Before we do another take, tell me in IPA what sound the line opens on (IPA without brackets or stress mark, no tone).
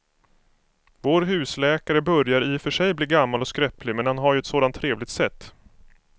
v